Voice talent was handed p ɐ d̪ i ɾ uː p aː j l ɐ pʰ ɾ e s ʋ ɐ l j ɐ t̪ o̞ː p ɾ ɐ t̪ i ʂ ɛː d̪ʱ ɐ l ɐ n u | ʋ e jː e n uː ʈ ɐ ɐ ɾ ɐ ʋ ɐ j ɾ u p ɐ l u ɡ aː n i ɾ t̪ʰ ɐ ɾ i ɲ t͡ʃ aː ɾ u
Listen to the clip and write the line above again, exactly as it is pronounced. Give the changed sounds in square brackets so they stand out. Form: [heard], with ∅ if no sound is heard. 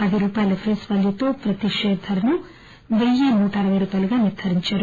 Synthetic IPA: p ɐ d̪ i ɾ uː p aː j l ɐ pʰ ɾ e s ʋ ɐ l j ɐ t̪ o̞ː p ɾ ɐ t̪ i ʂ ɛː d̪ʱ ɐ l ɐ n u | ʋ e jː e n uː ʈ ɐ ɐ ɾ ɐ ʋ ɐ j ɾ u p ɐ l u ɡ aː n i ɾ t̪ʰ ɐ ɾ i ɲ t͡ʃ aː ɾ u